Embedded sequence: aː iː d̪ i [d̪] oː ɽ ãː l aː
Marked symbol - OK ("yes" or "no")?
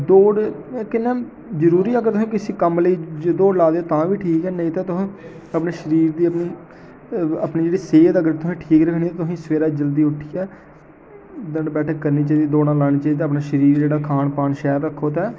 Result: yes